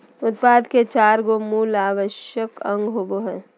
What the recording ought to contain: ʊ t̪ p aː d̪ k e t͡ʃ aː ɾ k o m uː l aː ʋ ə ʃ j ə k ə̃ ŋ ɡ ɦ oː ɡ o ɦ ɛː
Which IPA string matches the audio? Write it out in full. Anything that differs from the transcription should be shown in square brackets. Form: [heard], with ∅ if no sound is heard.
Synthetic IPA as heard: ʊ t̪ p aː d̪ k e t͡ʃ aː ɾ [ɡ] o m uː l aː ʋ ə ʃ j ə k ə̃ ŋ ɡ ɦ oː [b] o ɦ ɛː